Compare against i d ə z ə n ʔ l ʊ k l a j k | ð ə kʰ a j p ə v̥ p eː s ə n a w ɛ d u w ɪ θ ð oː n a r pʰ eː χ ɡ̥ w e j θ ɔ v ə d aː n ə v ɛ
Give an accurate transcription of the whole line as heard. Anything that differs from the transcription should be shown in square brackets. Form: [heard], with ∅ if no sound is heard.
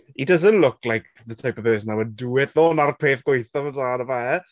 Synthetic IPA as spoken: i d ə z ə n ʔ l ʊ k l a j k | ð ə [tʰ] a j p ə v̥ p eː s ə n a w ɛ d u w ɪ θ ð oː n a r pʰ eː [θ] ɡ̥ w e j θ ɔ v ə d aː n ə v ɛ